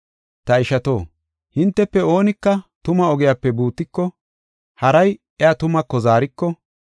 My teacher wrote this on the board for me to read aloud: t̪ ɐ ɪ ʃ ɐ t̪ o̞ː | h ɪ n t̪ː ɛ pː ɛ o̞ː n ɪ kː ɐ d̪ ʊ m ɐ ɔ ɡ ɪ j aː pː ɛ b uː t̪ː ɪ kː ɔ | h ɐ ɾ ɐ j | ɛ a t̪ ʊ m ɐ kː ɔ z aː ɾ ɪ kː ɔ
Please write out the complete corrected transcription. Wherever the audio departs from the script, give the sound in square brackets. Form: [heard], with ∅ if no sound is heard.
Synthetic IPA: t̪ ɐ ɪ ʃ ɐ t̪ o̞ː | h ɪ n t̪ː ɛ pː ɛ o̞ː n ɪ kː ɐ [t̪] ʊ m ɐ ɔ ɡ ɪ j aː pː ɛ b uː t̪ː ɪ kː ɔ | h ɐ ɾ ɐ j | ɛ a t̪ ʊ m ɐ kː ɔ z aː ɾ ɪ kː ɔ